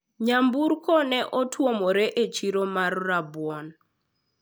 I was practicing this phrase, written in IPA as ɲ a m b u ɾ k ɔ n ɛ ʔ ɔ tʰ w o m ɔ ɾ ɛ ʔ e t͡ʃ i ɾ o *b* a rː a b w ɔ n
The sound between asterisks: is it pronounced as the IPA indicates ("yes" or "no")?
no